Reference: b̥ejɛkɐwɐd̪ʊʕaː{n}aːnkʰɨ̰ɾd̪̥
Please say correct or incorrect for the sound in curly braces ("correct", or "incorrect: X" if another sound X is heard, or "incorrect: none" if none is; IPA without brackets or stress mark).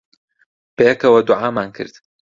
incorrect: m